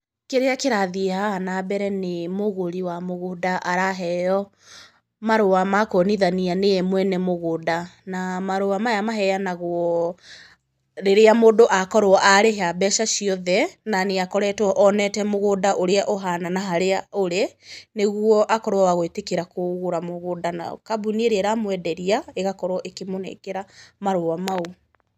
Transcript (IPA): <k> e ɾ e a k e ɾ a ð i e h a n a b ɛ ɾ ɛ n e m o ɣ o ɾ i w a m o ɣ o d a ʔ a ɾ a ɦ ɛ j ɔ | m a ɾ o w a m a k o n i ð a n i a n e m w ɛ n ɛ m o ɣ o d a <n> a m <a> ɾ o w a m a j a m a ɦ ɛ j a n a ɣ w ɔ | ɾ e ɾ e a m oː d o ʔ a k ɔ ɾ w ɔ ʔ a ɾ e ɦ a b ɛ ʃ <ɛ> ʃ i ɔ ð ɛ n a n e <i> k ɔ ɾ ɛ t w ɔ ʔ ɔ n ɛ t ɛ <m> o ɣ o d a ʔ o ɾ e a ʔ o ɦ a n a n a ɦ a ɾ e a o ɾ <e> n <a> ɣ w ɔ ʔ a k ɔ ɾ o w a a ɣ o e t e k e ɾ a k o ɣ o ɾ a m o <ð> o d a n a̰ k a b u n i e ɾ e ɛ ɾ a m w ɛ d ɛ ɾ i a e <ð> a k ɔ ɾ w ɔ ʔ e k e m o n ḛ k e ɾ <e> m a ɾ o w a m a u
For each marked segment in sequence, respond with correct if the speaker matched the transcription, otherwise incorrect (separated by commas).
correct, correct, correct, incorrect, incorrect, correct, correct, incorrect, incorrect, incorrect, incorrect